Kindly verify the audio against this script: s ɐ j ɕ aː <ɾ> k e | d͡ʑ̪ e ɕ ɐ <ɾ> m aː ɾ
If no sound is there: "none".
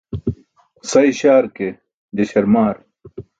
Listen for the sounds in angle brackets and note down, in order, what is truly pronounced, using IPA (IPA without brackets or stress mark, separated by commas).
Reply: ɾ, ɾ